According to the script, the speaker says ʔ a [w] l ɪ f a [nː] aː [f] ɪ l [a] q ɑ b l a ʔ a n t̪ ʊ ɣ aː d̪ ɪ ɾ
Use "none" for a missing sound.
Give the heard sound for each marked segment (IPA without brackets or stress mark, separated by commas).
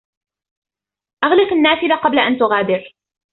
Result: ɣ, nː, f, a